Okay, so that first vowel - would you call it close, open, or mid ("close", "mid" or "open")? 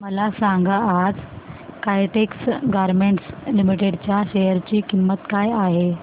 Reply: mid